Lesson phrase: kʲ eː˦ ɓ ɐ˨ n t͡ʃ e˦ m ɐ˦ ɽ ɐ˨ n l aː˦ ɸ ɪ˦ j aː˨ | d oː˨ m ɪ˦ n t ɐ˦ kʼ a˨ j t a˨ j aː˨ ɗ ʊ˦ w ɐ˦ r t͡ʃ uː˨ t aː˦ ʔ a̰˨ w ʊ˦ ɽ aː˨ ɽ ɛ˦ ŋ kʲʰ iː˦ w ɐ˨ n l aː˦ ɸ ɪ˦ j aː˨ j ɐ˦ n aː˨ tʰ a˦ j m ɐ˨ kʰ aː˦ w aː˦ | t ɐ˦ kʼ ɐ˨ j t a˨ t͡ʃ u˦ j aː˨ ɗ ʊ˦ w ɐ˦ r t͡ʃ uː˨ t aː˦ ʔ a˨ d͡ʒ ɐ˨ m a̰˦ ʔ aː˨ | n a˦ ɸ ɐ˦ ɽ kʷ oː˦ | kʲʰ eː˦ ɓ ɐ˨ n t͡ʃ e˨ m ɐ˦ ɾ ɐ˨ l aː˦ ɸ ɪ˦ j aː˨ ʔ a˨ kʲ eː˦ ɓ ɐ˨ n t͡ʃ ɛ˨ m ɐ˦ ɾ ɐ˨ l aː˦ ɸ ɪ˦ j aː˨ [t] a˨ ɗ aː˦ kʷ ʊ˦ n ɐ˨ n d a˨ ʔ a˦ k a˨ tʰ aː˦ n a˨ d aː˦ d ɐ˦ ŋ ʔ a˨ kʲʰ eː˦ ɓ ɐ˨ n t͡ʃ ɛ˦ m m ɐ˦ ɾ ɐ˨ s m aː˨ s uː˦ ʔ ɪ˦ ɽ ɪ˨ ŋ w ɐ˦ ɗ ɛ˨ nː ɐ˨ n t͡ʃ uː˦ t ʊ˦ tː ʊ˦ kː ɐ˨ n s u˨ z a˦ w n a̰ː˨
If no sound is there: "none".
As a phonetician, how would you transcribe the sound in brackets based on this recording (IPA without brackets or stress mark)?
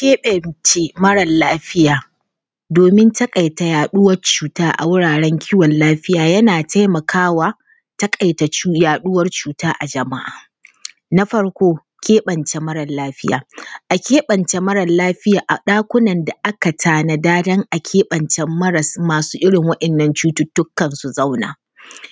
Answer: ʔ